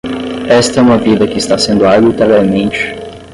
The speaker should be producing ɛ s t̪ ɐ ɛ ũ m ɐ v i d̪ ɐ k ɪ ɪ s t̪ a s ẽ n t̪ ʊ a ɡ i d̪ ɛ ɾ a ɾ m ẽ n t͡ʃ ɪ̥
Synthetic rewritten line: ɛ s t̪ ɐ ɛ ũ m ɐ v i d̪ ɐ k ɪ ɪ s t̪ a s ẽ n d̪ ʊ a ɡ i t̪ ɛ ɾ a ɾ m ẽ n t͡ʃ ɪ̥